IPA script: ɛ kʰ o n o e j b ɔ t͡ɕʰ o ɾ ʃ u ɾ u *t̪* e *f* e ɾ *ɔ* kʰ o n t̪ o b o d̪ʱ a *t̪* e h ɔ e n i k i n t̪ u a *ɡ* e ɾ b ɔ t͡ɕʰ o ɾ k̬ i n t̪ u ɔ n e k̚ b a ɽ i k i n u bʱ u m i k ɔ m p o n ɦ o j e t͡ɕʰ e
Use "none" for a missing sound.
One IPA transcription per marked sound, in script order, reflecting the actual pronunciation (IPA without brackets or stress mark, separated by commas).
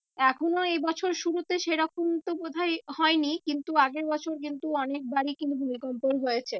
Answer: t̪, ʃ, ɔ, none, ɡ